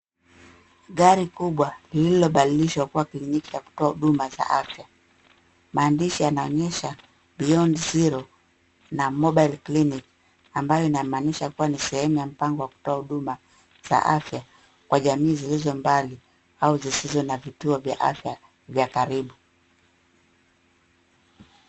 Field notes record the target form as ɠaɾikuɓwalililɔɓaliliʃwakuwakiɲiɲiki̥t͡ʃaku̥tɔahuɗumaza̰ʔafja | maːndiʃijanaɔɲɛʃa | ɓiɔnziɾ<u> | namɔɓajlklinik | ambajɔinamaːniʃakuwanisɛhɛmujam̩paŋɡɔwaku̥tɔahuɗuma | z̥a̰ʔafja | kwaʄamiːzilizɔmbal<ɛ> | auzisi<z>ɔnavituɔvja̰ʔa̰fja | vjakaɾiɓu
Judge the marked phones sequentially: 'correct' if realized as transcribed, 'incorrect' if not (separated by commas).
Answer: incorrect, incorrect, correct